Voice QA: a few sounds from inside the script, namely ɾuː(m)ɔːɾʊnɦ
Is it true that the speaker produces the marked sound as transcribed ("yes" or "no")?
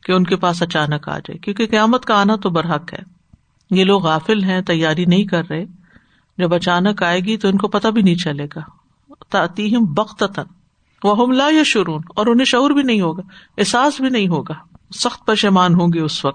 no